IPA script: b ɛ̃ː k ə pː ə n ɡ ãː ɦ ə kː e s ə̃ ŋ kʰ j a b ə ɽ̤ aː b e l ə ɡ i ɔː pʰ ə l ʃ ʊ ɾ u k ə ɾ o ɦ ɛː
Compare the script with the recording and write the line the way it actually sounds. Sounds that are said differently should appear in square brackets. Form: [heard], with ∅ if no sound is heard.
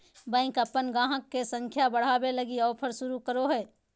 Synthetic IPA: b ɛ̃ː k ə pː ə n ɡ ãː ɦ ə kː e s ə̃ ŋ kʰ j a b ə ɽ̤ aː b e l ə ɡ i ɔː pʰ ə [ɾ] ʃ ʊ ɾ u k ə ɾ o ɦ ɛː